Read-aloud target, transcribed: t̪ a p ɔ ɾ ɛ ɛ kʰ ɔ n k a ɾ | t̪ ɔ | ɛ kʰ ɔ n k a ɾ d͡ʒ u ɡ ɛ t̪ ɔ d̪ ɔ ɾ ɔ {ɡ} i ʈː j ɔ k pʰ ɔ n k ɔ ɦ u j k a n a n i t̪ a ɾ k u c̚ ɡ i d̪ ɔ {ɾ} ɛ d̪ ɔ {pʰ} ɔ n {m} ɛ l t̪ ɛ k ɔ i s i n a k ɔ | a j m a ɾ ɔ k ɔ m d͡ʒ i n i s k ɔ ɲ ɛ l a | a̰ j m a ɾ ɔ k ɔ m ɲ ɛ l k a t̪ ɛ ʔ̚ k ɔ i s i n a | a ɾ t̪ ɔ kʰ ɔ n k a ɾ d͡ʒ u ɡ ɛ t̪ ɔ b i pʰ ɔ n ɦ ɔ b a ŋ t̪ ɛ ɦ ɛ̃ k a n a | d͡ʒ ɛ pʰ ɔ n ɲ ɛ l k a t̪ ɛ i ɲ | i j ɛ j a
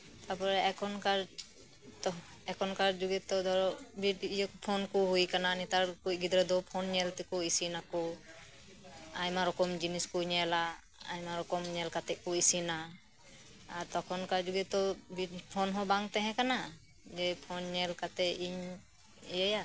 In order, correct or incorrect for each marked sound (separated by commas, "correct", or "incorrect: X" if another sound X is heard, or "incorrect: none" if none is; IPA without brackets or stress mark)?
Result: incorrect: b, correct, correct, incorrect: ɲ